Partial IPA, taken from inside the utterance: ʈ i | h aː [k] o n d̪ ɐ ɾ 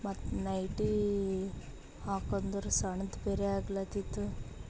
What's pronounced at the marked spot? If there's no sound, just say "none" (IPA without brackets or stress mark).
k